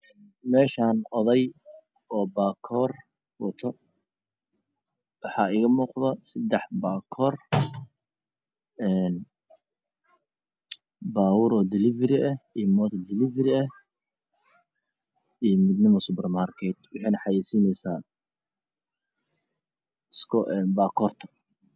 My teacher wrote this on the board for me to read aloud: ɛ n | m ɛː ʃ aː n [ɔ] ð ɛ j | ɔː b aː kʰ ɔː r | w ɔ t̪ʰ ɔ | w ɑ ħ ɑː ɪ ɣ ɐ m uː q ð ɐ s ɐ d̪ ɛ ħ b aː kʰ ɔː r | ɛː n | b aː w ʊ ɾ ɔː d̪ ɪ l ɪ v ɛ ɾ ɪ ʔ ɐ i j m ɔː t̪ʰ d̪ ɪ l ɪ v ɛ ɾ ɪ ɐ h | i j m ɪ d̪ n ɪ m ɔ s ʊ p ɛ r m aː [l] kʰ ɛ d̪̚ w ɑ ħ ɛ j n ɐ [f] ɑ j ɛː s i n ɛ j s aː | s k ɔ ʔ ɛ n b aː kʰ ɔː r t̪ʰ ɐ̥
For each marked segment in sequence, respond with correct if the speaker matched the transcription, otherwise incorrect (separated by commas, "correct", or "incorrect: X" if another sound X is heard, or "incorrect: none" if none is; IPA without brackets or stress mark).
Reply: correct, incorrect: r, incorrect: ħ